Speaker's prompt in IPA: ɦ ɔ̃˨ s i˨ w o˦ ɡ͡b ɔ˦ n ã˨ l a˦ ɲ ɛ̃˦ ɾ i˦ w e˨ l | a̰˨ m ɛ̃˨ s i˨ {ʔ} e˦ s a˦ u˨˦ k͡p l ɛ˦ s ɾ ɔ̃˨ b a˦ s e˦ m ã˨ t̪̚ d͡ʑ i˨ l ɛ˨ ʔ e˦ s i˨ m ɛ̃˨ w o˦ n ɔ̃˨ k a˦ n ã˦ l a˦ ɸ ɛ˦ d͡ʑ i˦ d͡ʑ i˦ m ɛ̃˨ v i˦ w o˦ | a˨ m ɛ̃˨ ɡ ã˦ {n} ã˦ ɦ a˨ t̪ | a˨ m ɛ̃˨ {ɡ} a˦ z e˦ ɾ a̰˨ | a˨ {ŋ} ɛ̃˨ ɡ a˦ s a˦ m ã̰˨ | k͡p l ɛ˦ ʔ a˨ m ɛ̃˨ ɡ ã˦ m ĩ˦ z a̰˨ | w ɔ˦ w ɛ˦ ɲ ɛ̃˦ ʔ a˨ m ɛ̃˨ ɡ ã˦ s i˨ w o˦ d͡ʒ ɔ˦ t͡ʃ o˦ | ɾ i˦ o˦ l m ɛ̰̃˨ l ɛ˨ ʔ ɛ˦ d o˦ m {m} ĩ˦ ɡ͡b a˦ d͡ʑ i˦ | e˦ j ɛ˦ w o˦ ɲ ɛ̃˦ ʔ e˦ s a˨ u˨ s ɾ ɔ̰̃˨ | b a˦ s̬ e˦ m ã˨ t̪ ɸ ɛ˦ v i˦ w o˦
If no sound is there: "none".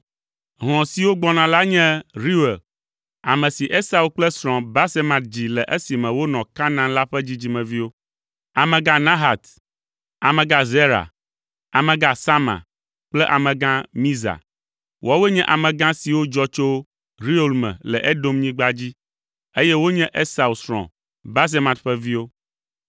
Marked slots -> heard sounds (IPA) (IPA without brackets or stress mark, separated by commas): ʔ, n, ɡ, m, ɲ